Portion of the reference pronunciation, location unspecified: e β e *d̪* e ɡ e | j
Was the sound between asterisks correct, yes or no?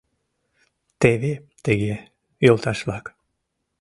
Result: no